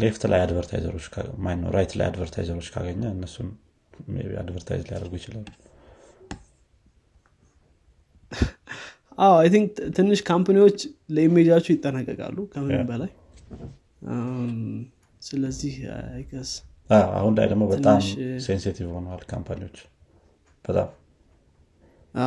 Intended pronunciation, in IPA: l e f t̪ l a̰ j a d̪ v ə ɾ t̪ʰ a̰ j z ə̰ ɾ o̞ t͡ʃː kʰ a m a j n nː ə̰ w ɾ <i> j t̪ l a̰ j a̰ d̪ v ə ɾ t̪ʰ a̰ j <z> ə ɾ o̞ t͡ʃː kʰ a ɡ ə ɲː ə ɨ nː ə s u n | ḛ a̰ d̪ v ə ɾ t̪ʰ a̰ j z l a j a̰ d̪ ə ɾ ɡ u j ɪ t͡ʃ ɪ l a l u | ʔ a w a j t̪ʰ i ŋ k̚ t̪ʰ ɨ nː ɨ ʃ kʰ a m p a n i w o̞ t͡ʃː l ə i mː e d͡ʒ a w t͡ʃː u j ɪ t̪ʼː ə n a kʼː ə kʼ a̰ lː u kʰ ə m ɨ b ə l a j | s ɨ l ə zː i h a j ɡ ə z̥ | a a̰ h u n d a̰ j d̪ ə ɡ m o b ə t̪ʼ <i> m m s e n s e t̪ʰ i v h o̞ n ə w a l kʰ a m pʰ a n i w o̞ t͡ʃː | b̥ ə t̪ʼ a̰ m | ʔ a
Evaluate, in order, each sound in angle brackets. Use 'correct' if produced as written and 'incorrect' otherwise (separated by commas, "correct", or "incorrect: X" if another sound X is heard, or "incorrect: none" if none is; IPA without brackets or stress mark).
incorrect: a, correct, incorrect: a